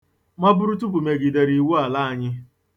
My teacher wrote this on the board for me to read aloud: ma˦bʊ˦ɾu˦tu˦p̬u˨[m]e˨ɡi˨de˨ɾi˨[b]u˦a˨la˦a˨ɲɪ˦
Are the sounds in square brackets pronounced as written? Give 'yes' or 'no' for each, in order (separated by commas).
yes, no